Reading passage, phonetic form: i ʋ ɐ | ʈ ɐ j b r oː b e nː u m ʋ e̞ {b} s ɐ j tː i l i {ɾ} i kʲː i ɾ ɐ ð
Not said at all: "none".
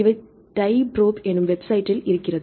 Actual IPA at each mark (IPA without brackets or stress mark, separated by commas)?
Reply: b, ɾ